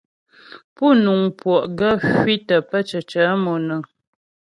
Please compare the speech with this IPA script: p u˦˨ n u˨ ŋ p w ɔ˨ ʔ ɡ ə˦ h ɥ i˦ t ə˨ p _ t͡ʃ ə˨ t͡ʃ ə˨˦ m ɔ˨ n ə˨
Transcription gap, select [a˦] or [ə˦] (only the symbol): ə˦